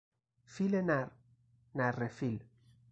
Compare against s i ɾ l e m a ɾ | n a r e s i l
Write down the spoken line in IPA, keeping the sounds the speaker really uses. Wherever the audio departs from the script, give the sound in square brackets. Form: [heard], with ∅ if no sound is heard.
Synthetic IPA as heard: [f] i [∅] l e [n] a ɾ | n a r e [f] i l